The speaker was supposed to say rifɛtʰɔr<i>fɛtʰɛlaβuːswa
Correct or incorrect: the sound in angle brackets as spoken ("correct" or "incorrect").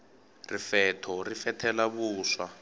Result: correct